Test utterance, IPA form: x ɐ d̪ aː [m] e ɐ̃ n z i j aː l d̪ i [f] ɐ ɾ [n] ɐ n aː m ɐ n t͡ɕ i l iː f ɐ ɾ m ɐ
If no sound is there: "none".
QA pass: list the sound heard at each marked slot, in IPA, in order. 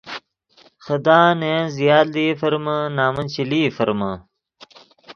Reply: n, f, m

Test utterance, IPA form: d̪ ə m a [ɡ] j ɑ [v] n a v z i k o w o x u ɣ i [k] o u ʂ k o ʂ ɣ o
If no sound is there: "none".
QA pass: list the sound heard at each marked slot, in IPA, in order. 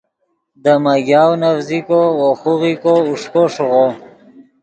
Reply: ɡ, w, k

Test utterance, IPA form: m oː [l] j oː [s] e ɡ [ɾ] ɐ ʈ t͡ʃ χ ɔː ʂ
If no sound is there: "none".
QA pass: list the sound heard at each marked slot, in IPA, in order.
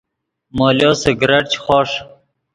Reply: l, s, ɾ

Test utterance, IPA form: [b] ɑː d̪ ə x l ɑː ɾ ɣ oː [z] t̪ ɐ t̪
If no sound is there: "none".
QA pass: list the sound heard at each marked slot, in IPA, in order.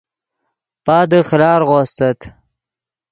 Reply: p, s

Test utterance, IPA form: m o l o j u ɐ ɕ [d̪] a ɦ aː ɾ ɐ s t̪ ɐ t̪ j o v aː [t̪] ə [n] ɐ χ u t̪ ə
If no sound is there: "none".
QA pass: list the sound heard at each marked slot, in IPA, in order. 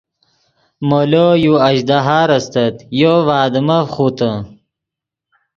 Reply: d̪, d̪, m

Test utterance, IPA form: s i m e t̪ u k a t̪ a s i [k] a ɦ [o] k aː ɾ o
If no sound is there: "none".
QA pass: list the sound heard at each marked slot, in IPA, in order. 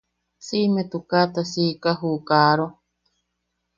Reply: k, u

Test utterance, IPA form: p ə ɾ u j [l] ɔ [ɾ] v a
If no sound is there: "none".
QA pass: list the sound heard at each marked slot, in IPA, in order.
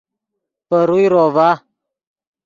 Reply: ɾ, none

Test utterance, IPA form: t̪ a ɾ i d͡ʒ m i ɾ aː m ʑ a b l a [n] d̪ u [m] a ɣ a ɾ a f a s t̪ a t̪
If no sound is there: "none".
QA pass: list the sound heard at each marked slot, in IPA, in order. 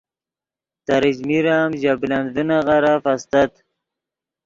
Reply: n, n

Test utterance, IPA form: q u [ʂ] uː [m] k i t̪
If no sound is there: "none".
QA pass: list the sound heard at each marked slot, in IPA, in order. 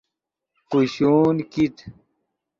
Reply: ɕ, n

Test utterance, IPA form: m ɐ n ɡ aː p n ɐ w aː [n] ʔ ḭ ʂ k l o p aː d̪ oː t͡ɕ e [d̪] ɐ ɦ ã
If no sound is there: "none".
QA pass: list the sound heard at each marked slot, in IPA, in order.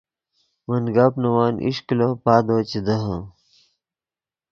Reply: n, d̪

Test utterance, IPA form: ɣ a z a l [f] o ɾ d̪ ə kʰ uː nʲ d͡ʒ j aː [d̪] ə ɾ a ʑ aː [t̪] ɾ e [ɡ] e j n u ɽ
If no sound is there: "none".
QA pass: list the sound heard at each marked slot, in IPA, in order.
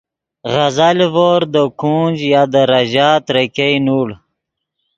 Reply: v, d̪, t̪, k

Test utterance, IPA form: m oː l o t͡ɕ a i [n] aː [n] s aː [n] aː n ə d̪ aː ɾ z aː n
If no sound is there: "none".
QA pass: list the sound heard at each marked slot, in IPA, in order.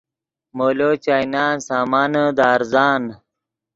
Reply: n, n, m

